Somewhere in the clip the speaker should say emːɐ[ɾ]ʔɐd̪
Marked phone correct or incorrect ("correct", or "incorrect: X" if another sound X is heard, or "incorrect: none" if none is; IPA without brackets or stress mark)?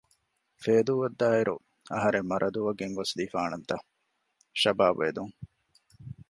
correct